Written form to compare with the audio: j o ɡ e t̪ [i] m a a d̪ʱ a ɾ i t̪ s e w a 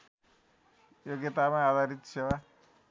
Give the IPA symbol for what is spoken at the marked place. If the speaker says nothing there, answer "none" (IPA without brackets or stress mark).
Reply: a